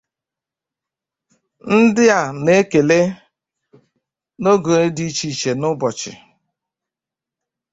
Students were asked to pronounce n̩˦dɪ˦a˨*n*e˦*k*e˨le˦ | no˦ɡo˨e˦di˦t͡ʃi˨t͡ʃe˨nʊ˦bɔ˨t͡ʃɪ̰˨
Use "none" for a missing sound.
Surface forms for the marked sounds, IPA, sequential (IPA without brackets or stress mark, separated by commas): n, k